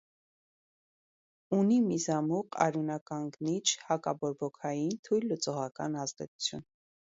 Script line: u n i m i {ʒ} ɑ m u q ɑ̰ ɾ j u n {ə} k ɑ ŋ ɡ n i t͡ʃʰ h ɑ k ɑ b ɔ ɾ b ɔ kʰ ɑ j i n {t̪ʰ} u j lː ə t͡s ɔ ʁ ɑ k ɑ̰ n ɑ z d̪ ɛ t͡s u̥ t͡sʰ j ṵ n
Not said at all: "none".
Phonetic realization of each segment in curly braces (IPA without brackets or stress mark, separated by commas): z, ɑ, t̪ʰ